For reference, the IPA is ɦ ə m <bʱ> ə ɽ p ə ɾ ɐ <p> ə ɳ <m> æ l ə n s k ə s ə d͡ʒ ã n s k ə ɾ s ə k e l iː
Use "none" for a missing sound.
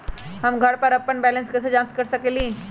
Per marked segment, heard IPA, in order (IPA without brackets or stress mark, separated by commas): ɡʱ, p, b